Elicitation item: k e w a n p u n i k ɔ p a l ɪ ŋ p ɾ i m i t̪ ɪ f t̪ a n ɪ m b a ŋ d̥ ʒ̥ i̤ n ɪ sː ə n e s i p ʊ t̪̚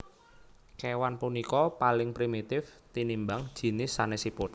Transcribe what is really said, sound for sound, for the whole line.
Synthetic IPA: k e w a n p u n i k ɔ p a l ɪ ŋ p ɾ i m i t̪ ɪ f t̪ i n i m b a ŋ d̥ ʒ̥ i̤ n ɪ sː a n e s i p ʊ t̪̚